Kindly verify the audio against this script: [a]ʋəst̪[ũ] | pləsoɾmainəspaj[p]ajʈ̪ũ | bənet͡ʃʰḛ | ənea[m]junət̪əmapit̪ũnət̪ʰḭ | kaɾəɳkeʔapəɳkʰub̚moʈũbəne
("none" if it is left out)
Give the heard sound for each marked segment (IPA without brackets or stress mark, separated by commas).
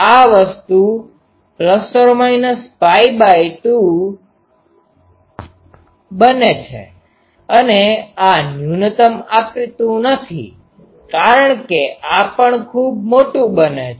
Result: a, u, b, n